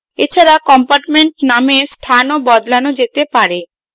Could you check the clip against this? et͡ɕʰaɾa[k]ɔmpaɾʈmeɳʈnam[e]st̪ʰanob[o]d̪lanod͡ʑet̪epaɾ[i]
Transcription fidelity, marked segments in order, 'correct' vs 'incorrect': correct, correct, incorrect: ɔ, incorrect: e

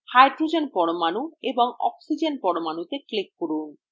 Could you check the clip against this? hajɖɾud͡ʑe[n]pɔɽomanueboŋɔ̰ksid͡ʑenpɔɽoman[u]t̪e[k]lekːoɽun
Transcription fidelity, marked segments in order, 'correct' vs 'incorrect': correct, correct, correct

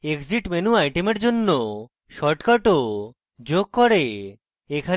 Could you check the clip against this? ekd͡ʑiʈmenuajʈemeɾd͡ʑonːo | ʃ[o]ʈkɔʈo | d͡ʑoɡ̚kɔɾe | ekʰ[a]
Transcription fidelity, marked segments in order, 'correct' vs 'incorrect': incorrect: ɔ, correct

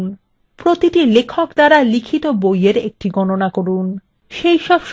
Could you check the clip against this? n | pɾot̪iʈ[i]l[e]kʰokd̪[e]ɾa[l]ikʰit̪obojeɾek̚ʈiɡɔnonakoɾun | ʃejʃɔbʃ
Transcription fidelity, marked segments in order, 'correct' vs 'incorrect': correct, correct, incorrect: a, correct

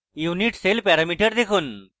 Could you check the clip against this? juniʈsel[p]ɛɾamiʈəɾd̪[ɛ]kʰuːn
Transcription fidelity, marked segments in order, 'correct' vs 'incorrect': correct, incorrect: e

